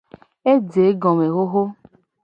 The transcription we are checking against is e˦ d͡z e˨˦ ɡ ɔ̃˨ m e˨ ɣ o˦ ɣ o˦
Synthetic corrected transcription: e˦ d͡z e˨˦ ɡ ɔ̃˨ m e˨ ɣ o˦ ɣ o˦